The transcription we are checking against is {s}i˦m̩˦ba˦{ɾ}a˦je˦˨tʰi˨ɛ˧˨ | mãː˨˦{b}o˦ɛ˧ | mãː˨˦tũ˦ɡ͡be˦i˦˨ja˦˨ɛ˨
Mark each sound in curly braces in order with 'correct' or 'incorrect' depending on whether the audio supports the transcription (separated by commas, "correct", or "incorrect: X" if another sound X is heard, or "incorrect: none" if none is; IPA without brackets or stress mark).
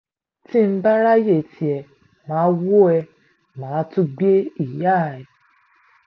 incorrect: t, correct, incorrect: w